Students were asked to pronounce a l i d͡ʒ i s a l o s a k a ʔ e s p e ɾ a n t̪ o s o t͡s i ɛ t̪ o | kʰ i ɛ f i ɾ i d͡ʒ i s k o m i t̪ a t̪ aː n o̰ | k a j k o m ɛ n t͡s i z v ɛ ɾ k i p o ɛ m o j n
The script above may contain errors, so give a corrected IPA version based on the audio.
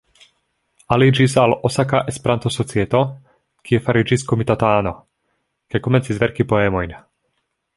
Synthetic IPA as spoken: a l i d͡ʒ i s a l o s a k a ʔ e s p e ɾ a n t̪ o s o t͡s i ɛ t̪ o | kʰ i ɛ f a ɾ i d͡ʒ i s k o m i t̪ a t̪ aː n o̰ | k a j k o m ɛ n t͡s i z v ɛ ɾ k i p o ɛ m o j n